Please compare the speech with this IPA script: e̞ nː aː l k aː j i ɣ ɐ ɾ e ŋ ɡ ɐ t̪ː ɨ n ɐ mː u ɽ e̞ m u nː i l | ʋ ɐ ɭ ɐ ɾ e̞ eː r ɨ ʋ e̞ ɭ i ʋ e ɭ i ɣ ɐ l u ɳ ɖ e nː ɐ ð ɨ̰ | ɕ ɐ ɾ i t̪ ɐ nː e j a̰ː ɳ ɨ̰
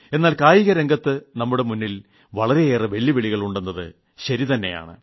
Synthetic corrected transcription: e̞ nː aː l k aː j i ɣ ɐ ɾ e ŋ ɡ ɐ t̪ː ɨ n ɐ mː u ɽ e̞ m u nː i l | ʋ ɐ ɭ ɐ ɾ e̞ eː r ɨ ʋ e̞ ɭː i ʋ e ɭ i ɣ ɐ ɭ u ɳ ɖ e nː ɐ ð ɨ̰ | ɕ ɐ ɾ i t̪ ɐ nː e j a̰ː ɳ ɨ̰

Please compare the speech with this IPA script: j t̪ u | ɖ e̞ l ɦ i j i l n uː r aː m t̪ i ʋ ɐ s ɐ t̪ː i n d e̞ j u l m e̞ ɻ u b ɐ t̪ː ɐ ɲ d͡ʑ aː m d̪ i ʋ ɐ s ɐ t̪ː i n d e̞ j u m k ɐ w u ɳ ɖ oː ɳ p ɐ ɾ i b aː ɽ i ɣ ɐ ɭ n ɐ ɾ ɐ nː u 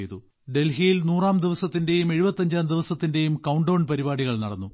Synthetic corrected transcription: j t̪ u | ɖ e̞ l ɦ i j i l n uː r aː m d̪ i ʋ ɐ s ɐ t̪ː i n d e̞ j u m e̞ ɻ u b ɐ t̪ː ɐ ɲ d͡ʑ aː m d̪ i ʋ ɐ s ɐ t̪ː i n d e̞ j u m k ɐ w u ɳ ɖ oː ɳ p ɐ ɾ i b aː ɽ i ɣ ɐ ɭ n ɐ ɽ ɐ nː u

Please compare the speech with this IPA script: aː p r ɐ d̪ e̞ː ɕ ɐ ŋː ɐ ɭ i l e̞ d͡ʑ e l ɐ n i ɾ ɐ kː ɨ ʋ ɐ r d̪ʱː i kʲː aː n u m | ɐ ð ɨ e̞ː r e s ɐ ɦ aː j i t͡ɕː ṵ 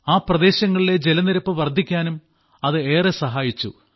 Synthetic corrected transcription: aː p r ɐ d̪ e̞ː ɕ ɐ ŋː ɐ ɭ i l e̞ d͡ʑ e l ɐ n i ɾ ɐ pː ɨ ʋ ɐ r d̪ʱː i kʲː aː n u m | ɐ ð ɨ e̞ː r e s ɐ ɦ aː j i t͡ɕː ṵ

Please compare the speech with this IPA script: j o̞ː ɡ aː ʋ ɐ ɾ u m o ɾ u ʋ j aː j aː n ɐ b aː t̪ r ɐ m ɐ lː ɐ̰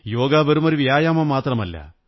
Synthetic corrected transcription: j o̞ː ɡ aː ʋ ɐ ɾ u m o ɾ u ʋ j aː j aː m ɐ m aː t̪ r ɐ m ɐ lː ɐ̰

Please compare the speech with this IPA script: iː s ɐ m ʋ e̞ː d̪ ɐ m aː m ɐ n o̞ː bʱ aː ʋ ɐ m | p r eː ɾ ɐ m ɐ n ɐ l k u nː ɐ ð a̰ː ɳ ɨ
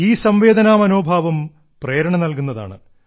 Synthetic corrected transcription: iː s ɐ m ʋ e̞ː d̪ ɐ n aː m ɐ n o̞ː bʱ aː ʋ ɐ m | p r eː ɾ ɐ ɳ ɐ n ɐ l k u nː ɐ ð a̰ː ɳ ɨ

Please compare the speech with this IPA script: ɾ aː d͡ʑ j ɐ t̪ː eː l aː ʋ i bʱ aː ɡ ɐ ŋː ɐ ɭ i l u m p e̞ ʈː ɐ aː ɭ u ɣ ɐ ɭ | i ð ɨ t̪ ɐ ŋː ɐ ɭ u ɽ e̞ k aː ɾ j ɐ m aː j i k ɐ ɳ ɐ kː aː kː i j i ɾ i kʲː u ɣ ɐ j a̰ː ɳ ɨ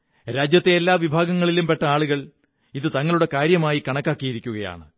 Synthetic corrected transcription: ɾ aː d͡ʑ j ɐ t̪ː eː lː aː ʋ i bʱ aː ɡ ɐ ŋː ɐ ɭ i l u m p e̞ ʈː ɐ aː ɭ u ɣ ɐ ɭ | i ð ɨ t̪ ɐ ŋː ɐ ɭ u ɽ e̞ k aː ɾ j ɐ m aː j i k ɐ ɳ ɐ kː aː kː i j i ɾ i kʲː u ɣ ɐ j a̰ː ɳ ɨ

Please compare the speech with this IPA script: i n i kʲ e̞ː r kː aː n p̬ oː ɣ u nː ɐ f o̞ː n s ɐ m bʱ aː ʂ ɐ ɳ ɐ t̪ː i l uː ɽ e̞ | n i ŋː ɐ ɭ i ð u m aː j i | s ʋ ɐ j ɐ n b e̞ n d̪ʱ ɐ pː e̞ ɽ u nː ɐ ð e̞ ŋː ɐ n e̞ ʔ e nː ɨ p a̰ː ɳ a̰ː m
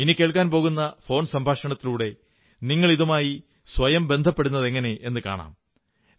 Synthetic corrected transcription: i n i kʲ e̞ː ɭ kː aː n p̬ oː ɣ u nː ɐ f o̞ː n s ɐ m bʱ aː ʂ ɐ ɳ ɐ t̪ː i l uː ɽ e̞ | n i ŋː ɐ ɭ i ð u m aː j i | s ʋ ɐ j ɐ m b e̞ n d̪ʱ ɐ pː e̞ ɽ u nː ɐ ð e̞ ŋː ɐ n e̞ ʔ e nː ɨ k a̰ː ɳ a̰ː m

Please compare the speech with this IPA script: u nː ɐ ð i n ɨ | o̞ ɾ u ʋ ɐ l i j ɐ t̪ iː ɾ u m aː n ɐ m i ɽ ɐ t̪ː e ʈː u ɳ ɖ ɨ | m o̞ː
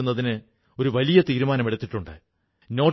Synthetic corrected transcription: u nː ɐ ð i n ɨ | o̞ ɾ u ʋ ɐ l i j ɐ t̪ iː ɾ u m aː n ɐ m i ɽ ɐ t̪ː i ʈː u ɳ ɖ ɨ | n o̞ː

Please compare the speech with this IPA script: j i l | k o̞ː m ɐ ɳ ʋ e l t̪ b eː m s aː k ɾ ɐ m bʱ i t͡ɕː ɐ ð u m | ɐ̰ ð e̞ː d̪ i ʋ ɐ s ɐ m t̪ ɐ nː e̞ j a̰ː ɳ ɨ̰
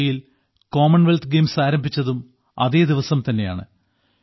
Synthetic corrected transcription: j i l | k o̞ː m ɐ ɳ ʋ e l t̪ ɡ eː m s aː ɾ ɐ m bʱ i t͡ɕː ɐ ð u m | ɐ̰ ð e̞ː d̪ i ʋ ɐ s ɐ m t̪ ɐ nː e̞ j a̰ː ɳ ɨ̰

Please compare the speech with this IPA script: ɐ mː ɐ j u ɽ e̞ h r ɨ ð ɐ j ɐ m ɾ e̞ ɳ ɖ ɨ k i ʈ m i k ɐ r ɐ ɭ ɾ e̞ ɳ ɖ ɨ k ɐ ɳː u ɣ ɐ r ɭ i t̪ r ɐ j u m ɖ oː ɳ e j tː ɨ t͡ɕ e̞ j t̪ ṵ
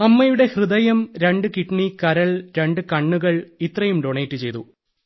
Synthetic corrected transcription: ɐ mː ɐ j u ɽ e̞ h r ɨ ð ɐ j ɐ m ɾ e̞ ɳ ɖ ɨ k i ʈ ɳ i k ɐ ɾ ɐ ɭ ɾ e̞ ɳ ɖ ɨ k ɐ ɳː u ɣ ɐ ɭ i t̪ r ɐ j u m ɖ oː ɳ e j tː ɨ t͡ɕ e̞ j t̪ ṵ

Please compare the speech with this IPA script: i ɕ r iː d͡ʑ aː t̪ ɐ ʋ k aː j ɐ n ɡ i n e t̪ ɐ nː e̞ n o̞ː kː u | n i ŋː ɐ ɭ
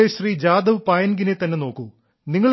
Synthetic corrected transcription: e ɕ r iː d͡ʑ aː d̪ ɐ ʋ p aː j ɐ n ɡ i n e t̪ ɐ nː e̞ n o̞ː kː u | n i ŋː ɐ ɭ

